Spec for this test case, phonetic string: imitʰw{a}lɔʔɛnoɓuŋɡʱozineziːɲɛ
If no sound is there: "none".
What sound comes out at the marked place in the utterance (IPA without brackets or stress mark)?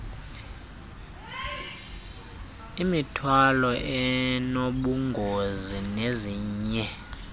a